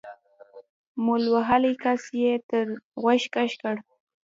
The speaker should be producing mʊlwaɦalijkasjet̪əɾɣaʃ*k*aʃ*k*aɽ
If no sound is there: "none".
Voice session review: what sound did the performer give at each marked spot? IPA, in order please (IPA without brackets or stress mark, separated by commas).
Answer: k, k